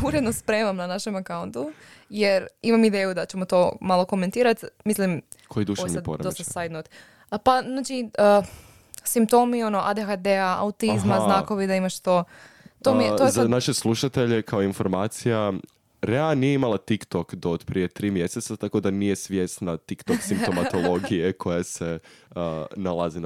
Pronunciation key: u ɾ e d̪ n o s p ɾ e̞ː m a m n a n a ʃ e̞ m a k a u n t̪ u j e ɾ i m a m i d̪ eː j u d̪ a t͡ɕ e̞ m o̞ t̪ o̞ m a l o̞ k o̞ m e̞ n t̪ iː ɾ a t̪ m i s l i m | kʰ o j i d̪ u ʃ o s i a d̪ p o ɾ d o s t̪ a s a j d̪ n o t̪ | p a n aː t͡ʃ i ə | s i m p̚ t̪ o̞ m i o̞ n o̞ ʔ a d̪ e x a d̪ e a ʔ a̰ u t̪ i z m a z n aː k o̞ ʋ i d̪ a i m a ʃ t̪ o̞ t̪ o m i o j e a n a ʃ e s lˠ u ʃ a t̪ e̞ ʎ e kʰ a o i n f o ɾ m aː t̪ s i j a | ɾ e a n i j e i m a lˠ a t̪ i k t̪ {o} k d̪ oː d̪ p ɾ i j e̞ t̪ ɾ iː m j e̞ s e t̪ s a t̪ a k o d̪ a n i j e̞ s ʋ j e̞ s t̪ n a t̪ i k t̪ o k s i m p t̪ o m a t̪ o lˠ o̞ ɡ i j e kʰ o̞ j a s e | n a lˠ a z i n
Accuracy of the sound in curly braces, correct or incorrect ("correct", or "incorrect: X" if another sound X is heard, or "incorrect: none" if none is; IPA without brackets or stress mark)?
correct